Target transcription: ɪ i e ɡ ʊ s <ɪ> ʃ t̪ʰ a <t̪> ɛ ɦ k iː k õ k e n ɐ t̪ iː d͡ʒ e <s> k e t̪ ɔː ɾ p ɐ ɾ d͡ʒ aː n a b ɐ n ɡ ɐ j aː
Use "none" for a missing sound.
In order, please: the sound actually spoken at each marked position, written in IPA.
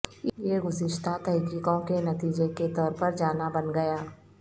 ɪ, t̪, none

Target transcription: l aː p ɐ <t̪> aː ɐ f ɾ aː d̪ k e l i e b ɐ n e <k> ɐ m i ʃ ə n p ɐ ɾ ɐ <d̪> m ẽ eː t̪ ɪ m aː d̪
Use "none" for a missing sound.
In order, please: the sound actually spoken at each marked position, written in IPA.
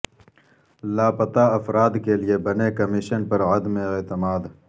t̪, k, d̪

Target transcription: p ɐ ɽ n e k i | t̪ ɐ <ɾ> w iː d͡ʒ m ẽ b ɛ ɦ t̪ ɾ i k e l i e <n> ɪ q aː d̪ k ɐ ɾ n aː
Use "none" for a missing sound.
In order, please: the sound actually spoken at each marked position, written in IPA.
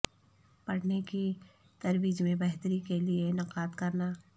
ɾ, n

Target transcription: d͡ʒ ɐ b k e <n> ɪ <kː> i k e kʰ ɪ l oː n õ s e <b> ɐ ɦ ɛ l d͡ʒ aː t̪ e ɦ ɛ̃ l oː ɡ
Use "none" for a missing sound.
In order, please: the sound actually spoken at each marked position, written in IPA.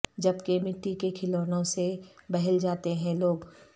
m, ʈː, b

